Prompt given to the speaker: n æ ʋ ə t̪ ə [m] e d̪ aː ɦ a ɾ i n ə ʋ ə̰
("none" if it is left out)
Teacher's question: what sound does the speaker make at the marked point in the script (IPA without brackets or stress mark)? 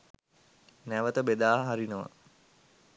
b